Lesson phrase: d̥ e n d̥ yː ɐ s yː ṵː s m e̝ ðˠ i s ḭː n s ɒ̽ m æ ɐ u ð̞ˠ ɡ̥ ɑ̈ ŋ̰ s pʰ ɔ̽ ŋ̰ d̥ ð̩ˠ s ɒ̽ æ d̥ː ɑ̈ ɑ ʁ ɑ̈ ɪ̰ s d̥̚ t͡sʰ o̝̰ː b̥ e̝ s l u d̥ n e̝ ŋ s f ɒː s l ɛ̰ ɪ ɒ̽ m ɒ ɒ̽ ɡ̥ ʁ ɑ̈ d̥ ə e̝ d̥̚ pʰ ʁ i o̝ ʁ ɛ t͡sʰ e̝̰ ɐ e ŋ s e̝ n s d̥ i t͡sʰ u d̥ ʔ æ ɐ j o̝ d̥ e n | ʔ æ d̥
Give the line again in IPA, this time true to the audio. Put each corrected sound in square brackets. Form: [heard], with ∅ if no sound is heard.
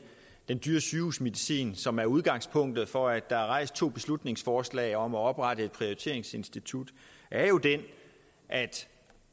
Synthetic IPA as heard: d̥ e n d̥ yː ɐ s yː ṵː s m e̝ ðˠ i s ḭː n s ɒ̽ m æ ɐ u ð̞ˠ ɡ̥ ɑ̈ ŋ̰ s pʰ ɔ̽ ŋ̰ d̥ ð̩ˠ [f] ɒ̽ æ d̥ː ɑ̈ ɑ ʁ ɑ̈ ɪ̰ s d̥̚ t͡sʰ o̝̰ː b̥ e̝ s l u d̥ n e̝ ŋ s f ɒː s l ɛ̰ ɪ ɒ̽ m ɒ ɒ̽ [b̥] ʁ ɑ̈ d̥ ə e̝ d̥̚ pʰ ʁ i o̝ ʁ [i] t͡sʰ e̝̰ ɐ e ŋ s e̝ n s d̥ i t͡sʰ u d̥ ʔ æ ɐ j o̝ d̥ e n | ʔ æ d̥